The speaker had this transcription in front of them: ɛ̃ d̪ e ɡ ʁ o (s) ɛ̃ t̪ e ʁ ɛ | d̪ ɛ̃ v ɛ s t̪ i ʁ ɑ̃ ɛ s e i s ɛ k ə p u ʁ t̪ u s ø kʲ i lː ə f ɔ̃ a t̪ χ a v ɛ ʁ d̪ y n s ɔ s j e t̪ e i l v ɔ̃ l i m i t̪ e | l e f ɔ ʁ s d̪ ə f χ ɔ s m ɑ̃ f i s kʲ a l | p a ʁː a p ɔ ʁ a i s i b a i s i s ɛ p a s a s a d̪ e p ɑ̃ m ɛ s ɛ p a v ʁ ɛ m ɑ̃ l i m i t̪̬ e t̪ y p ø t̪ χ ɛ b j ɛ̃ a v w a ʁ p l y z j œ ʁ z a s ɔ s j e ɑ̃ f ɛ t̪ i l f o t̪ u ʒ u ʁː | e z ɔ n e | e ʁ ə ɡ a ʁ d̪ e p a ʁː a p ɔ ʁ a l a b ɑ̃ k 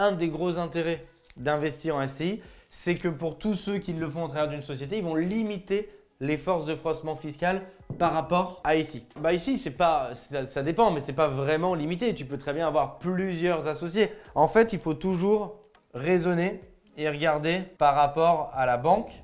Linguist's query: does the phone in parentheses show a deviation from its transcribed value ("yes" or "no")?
yes